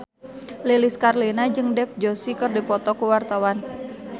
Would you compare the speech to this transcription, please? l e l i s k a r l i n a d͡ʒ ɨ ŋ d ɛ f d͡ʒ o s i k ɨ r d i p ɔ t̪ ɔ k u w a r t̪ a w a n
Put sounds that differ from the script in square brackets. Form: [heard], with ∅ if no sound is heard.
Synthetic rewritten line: l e l i s k a r l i n a d͡ʒ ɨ ŋ d ɛ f d͡ʒ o s i k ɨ r d i p ɔ t̪ ɔ k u w a r t̪ a w a n